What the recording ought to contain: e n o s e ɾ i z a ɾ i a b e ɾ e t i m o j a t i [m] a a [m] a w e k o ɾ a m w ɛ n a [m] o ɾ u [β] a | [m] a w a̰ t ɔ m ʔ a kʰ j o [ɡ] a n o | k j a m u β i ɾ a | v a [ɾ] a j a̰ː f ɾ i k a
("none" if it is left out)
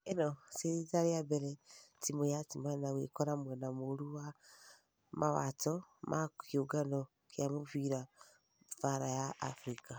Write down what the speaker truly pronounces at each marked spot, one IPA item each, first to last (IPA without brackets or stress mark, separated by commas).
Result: m, n, m, w, m, ɡ, ɾ